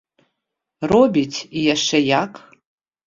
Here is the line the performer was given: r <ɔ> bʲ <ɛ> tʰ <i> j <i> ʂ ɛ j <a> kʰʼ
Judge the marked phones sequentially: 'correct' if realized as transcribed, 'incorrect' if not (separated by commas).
incorrect, incorrect, correct, incorrect, correct